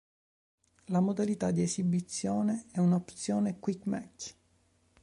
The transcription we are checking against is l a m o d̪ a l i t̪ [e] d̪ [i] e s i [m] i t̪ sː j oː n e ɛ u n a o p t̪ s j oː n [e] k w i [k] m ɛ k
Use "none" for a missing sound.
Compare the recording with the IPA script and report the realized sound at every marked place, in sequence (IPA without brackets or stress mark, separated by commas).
a, i, b, e, k